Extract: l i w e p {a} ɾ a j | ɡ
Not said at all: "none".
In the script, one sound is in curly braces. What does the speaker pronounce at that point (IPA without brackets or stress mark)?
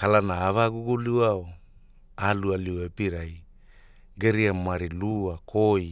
i